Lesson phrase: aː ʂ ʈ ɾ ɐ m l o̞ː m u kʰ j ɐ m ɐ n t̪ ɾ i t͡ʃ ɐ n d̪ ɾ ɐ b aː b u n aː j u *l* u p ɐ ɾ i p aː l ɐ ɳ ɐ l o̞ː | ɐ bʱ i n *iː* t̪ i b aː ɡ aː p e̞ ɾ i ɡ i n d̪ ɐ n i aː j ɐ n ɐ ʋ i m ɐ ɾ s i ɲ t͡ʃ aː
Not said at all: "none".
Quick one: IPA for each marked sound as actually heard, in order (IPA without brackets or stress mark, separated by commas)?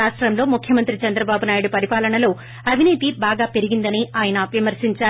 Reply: ɽ, iː